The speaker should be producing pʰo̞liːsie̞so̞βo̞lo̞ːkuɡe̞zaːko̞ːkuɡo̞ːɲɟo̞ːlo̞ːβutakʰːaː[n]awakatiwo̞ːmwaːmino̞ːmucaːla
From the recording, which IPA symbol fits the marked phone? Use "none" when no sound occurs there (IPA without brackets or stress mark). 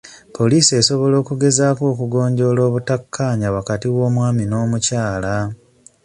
ɲ